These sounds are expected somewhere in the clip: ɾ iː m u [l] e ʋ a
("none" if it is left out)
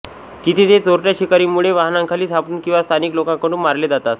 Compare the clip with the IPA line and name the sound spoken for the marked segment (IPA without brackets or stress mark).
ɭ